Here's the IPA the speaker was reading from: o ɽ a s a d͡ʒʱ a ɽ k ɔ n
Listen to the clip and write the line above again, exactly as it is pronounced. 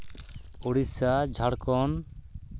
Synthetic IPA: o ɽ i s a d͡ʒʱ a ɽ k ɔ n